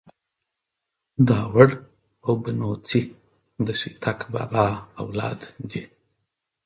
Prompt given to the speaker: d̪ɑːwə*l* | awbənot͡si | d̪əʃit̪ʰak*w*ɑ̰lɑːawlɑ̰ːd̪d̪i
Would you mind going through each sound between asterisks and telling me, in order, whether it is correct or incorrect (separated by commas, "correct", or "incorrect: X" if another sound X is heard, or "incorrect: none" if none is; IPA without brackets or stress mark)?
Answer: incorrect: ɽ, incorrect: b